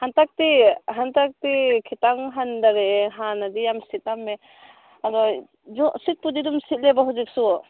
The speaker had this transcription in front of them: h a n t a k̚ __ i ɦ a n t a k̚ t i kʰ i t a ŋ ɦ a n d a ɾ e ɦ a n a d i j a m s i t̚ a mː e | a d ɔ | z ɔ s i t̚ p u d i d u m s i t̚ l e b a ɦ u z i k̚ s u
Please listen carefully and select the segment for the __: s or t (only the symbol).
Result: t